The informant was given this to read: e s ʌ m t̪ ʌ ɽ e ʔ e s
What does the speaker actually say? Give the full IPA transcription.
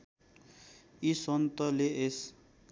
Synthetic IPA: i s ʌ n t̪ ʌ l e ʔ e s